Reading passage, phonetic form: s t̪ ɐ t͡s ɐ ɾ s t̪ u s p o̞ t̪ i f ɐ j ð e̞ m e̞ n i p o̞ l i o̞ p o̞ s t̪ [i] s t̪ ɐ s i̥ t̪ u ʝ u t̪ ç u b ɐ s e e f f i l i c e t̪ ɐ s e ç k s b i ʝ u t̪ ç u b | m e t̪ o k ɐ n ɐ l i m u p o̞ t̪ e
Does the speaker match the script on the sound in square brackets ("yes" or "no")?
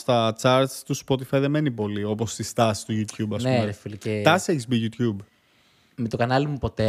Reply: yes